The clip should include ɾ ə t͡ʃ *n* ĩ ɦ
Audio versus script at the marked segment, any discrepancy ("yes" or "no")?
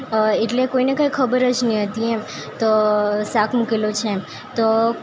no